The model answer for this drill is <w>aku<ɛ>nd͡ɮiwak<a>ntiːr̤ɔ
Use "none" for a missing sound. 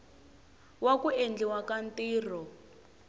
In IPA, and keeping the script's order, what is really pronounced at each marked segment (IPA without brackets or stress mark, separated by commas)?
w, e, a